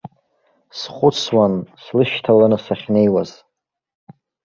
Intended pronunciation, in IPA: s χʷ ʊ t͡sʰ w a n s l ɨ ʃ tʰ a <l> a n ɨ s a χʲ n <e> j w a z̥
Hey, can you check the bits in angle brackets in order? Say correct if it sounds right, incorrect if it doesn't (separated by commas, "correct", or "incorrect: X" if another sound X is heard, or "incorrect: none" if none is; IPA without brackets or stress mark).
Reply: correct, correct